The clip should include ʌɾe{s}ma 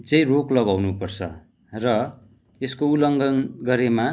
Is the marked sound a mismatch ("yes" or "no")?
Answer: yes